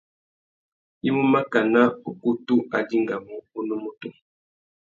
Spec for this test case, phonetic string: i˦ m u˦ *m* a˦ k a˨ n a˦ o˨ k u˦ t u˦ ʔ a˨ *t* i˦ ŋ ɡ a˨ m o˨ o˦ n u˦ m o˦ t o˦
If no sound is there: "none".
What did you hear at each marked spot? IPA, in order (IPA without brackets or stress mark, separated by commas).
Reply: m, d